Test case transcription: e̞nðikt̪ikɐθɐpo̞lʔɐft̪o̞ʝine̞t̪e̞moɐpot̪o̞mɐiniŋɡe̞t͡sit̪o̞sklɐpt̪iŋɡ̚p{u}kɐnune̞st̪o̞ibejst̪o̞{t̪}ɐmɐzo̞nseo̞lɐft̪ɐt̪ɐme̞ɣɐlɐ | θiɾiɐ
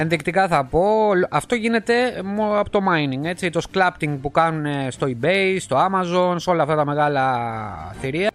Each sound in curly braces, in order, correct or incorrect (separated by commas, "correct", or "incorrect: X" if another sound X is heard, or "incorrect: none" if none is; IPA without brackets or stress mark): correct, incorrect: none